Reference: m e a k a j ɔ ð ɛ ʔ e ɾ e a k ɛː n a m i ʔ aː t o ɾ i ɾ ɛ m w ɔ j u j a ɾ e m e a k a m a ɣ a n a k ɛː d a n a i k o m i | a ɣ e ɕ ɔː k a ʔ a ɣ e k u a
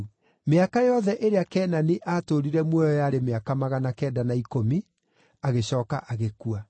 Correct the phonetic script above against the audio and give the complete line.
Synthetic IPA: m e a k a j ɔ ð ɛ ʔ e ɾ e a k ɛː n a n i ʔ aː t o ɾ i ɾ ɛ m w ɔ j ɔ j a ɾ e m e a k a m a ɣ a n a k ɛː d a n a i k o m i | a ɣ e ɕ ɔː k a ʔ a ɣ e k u a